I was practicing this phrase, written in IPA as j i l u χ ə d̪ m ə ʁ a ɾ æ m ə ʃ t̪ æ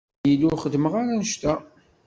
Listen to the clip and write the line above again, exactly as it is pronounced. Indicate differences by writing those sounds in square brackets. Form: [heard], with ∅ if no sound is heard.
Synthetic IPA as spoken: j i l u χ ə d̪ m ə ʁ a ɾ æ [n] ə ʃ t̪ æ